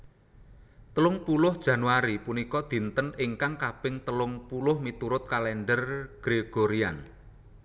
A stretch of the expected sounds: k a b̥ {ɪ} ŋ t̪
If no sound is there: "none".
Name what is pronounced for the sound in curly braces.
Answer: ɪ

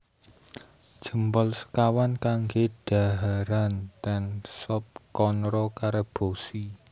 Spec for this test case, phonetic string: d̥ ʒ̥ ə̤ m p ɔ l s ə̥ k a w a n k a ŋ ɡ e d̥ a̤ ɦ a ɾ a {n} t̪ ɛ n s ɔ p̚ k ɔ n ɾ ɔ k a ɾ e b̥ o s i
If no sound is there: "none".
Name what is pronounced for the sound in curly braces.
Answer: n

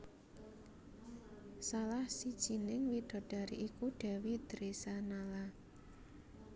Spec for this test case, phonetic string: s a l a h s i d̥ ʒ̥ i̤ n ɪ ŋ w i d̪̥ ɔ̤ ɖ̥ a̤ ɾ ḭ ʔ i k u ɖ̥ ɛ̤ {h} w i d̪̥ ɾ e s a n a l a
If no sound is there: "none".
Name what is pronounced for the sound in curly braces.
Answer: none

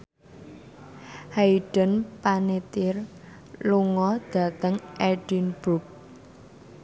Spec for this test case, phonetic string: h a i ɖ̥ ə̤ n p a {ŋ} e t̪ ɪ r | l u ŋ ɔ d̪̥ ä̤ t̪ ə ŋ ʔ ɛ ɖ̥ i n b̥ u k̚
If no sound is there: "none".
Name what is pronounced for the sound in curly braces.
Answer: n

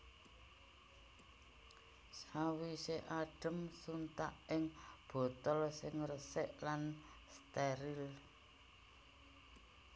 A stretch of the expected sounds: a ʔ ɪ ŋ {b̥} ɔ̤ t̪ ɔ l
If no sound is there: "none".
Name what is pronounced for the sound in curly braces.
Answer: b̥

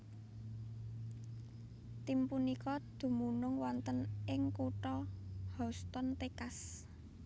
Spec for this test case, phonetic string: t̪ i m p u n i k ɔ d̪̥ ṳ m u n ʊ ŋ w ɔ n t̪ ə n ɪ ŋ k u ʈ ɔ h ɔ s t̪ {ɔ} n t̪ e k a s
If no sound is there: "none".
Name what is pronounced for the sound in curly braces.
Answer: ɔ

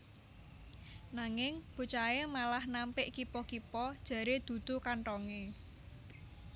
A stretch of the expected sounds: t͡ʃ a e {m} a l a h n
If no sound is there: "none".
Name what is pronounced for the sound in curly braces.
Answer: m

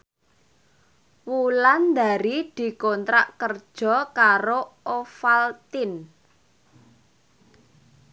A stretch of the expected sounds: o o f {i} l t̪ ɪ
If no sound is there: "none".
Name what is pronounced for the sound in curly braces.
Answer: a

